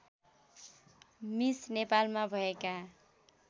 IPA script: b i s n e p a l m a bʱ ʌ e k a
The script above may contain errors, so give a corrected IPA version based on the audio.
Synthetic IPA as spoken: m i s n e p a l m a bʱ ʌ e k a